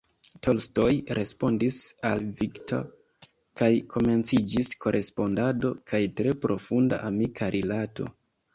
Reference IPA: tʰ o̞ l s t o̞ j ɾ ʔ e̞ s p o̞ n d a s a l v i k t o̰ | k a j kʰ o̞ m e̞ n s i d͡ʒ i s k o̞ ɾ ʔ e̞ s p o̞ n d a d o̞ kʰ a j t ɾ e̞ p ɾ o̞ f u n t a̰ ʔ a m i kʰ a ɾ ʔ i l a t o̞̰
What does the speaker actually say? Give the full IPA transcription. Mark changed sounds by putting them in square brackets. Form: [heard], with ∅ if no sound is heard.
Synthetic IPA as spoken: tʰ o̞ l s t o̞ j ɾ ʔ e̞ s p o̞ n d [i] s a l v i k t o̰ | k a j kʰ o̞ m e̞ n [t͡s] i d͡ʒ i s k o̞ ɾ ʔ e̞ s p o̞ n d a d o̞ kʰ a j t ɾ e̞ p ɾ o̞ f u n [d] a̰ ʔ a m i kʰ a ɾ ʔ i l a t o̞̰